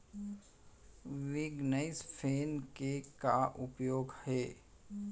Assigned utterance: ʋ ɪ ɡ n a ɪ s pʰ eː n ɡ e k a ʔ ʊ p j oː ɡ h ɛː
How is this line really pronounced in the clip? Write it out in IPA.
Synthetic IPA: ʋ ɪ ɡ n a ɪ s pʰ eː n k e k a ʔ ʊ p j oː ɡ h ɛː